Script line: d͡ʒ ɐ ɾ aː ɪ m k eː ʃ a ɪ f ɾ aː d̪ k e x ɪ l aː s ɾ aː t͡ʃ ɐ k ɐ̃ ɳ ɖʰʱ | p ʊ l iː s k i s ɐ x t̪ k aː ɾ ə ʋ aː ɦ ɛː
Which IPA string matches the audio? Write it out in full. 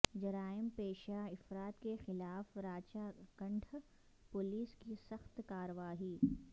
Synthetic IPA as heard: d͡ʒ ɐ ɾ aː ɪ m p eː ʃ a ɪ f ɾ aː t̪ k e x ɪ l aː f ɾ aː t͡ʃ a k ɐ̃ ɳ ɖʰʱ | p ʊ l iː s k i s ɐ x t̪ k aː ɾ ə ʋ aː ɦ iː